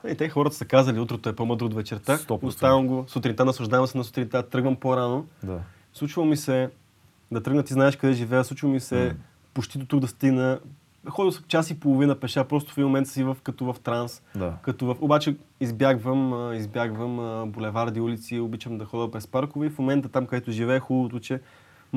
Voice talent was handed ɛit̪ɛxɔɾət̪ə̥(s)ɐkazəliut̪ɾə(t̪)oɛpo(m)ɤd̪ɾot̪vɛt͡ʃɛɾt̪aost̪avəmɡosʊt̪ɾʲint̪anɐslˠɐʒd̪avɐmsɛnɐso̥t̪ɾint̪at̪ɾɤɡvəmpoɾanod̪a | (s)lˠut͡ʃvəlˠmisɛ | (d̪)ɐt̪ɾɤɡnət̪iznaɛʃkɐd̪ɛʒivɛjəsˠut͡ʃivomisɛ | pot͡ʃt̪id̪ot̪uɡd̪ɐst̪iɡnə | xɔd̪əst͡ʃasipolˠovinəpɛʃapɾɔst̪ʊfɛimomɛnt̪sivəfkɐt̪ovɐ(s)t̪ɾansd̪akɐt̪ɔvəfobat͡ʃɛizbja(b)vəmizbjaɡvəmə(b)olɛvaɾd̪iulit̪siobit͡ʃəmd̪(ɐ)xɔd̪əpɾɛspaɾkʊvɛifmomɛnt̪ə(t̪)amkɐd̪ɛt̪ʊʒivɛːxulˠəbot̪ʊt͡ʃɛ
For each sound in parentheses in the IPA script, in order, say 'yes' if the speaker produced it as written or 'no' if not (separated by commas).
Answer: yes, yes, yes, yes, yes, no, no, yes, yes, yes